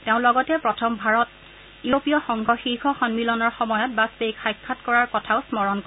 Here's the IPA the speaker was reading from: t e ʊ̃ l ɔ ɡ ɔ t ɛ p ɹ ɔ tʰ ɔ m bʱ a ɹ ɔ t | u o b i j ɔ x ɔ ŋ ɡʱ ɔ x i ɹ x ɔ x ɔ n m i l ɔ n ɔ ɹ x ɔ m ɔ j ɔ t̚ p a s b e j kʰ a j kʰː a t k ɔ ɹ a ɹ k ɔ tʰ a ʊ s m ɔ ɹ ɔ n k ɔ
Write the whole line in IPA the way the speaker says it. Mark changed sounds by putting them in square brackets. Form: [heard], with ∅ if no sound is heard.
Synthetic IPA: t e ʊ̃ l ɔ ɡ ɔ t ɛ p ɹ ɔ tʰ ɔ m bʱ a ɹ ɔ t | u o [p] i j ɔ x ɔ ŋ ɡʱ ɔ x i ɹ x ɔ x ɔ n m i l ɔ n ɔ ɹ x ɔ m ɔ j ɔ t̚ [b] a s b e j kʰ a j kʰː a t k ɔ ɹ a ɹ k ɔ tʰ a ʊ s m ɔ ɹ ɔ n k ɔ